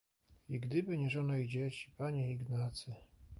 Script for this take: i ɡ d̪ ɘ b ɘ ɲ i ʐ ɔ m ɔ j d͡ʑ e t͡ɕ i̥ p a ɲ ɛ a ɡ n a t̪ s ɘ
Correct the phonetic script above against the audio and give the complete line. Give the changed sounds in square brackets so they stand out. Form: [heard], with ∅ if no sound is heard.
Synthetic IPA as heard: i ɡ d̪ ɘ b ɘ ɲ [ɛ] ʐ ɔ [n] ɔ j d͡ʑ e t͡ɕ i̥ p a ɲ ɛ [i] ɡ n a t̪ s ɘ